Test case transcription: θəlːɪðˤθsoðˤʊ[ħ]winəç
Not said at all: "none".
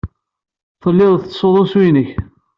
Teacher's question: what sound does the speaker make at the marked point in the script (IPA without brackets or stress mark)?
s